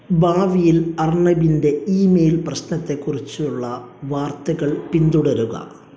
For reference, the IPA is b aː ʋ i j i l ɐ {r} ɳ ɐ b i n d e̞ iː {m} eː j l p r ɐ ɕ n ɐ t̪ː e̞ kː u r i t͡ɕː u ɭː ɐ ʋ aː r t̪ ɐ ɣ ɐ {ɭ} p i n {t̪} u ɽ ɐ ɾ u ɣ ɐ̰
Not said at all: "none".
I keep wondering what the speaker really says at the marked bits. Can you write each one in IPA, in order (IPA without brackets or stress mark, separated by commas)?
r, m, ɭ, d̪